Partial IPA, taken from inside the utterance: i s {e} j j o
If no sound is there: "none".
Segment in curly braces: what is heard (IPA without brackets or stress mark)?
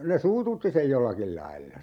e